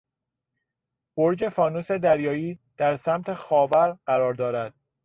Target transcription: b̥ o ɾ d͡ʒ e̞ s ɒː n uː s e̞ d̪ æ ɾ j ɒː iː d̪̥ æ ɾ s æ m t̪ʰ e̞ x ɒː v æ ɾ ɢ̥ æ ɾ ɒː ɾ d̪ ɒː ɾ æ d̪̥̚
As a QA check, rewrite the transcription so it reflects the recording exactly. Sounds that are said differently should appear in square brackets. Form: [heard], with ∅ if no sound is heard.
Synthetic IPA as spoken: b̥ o ɾ d͡ʒ e̞ [f] ɒː n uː s e̞ d̪ æ ɾ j ɒː iː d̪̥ æ ɾ s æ m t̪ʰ e̞ x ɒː v æ ɾ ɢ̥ æ ɾ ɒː ɾ d̪ ɒː ɾ æ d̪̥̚